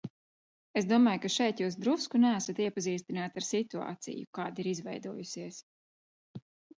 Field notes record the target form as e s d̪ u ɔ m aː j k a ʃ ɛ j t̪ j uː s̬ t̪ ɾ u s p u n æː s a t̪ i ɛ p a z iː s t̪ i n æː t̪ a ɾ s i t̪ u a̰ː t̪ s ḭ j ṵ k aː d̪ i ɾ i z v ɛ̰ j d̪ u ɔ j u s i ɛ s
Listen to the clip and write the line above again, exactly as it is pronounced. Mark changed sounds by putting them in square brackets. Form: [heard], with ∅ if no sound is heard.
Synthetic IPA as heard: e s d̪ u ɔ m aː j k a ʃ ɛ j t̪ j uː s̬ [d̪] ɾ u s [k] u n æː s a t̪ i ɛ p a z iː s t̪ i n [aː] t̪ a ɾ s i t̪ u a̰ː t̪ s ḭ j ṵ k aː d̪ i ɾ i z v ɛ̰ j d̪ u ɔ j u s i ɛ s